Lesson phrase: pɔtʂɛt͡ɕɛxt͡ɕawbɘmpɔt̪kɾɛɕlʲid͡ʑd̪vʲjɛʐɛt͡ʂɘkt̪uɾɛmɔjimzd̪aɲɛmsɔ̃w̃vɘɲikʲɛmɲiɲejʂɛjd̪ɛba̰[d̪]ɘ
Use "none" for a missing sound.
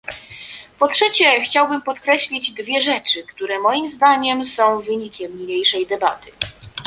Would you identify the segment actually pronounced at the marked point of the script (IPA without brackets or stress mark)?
t̪